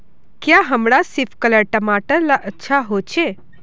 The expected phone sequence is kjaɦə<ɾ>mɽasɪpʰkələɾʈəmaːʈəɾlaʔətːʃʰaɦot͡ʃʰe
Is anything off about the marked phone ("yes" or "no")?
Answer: yes